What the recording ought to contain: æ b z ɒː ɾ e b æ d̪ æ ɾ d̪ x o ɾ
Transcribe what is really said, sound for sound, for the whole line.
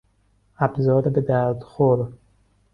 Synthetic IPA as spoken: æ b z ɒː ɾ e b e d̪ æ ɾ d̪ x o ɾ